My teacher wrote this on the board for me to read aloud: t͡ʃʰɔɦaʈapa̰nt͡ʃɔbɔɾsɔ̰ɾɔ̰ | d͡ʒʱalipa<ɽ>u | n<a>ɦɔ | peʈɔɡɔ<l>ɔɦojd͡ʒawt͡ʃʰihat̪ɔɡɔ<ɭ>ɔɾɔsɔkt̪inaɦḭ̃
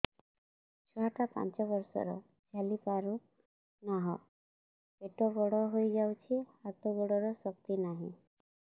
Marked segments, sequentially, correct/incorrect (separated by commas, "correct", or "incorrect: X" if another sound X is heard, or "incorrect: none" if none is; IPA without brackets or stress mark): incorrect: ɾ, correct, incorrect: ɽ, incorrect: ɽ